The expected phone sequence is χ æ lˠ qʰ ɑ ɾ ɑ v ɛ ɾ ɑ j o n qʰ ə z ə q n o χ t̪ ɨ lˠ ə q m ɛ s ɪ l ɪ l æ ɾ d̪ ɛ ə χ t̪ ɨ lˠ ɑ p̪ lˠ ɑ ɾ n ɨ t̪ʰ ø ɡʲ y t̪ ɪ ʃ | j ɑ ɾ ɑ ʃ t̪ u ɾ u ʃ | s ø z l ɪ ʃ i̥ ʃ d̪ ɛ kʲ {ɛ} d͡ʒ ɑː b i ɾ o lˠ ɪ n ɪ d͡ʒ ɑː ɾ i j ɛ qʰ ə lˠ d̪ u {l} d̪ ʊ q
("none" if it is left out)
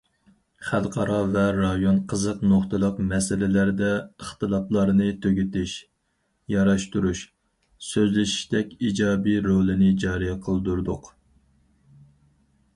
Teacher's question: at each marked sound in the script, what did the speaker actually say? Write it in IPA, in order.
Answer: i, ɾ

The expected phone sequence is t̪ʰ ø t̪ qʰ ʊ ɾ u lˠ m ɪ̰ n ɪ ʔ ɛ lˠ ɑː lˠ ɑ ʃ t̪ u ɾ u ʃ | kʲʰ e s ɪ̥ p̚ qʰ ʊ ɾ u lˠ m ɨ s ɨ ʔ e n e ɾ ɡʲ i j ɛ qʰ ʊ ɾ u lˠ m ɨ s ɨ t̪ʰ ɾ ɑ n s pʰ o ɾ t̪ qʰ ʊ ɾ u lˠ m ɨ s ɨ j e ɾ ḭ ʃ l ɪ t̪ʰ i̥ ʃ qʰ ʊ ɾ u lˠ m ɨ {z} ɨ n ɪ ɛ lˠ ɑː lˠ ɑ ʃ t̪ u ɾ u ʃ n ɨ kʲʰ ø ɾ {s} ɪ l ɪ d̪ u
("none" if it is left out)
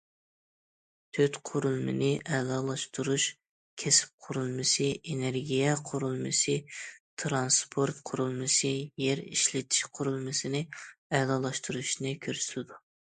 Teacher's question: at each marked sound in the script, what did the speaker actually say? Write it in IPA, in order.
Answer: s, s

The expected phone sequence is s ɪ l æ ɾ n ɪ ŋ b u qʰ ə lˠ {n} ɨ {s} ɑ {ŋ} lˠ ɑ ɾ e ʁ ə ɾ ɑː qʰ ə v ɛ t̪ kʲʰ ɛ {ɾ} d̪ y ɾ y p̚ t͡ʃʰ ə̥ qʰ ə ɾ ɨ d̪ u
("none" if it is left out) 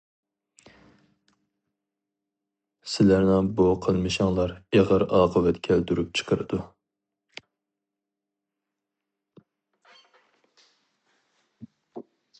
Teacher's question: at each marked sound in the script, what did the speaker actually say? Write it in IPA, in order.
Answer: m, ʃ, ŋ, l

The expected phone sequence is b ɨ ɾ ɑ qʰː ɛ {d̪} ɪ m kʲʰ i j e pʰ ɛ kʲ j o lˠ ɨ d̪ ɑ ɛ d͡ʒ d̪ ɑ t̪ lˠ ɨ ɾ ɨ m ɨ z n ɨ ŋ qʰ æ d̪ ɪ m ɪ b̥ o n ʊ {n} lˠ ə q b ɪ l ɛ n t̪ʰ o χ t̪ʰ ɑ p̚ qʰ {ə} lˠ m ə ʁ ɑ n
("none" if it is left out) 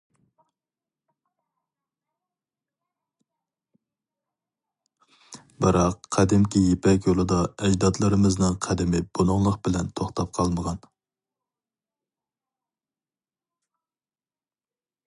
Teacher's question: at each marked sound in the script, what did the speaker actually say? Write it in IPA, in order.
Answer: d̪, ŋ, ɑ

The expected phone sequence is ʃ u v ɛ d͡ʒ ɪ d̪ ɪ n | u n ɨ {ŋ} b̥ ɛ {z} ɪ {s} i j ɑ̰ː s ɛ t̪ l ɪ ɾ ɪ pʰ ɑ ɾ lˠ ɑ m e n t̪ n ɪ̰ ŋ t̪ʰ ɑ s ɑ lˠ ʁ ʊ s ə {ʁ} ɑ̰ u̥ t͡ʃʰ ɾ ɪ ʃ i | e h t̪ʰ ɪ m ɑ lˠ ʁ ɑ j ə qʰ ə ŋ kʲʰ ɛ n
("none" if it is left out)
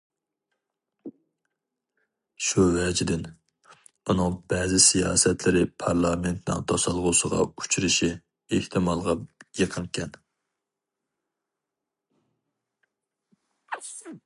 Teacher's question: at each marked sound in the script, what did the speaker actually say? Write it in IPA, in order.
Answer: ŋ, z, s, ʁ

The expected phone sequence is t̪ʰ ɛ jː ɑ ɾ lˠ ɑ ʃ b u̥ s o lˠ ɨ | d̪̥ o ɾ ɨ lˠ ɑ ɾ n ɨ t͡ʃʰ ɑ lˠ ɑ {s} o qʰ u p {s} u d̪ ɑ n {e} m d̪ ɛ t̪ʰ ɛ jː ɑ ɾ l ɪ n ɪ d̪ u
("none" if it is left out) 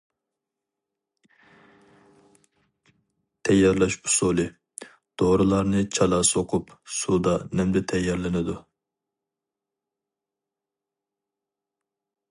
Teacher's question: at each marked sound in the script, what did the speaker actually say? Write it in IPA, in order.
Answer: s, s, ɛ

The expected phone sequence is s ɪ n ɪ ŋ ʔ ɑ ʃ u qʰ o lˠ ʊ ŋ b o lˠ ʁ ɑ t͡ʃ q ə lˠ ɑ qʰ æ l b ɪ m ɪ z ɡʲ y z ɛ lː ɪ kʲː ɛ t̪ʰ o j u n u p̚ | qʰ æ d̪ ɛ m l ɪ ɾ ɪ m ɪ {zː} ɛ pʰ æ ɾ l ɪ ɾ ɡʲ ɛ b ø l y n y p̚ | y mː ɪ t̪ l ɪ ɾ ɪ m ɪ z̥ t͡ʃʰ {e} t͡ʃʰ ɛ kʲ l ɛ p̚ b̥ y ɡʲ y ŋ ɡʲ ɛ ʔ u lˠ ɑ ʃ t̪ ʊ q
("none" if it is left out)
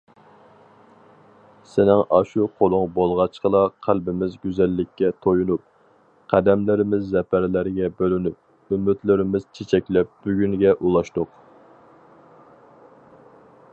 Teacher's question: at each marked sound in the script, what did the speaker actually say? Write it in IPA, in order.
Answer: zː, e

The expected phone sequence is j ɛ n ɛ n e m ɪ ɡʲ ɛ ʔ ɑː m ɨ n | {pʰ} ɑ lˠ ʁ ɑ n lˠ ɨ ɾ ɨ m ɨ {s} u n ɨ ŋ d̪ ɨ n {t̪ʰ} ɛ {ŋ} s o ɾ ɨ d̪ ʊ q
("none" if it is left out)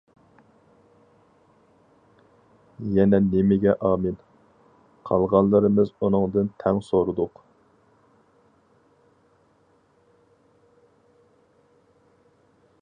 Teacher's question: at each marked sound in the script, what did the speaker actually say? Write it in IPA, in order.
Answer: qʰ, z, t̪ʰ, ŋ

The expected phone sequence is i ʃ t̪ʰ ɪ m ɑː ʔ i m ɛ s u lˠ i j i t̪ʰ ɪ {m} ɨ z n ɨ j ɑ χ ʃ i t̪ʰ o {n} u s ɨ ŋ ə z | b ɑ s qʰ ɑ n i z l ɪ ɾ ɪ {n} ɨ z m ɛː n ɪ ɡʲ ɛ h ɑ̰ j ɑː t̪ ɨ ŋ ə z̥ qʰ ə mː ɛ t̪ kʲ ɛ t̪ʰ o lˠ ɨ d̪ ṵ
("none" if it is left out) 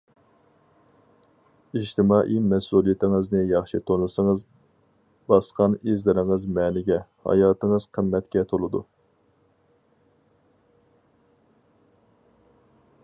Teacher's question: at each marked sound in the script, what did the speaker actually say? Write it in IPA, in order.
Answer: ŋ, n, ŋ

